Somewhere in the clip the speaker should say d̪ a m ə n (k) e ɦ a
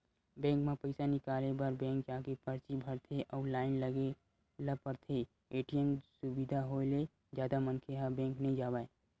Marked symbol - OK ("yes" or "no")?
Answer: no